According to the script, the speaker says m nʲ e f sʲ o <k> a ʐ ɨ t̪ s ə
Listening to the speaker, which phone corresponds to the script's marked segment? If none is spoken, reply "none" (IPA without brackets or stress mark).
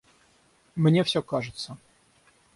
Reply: k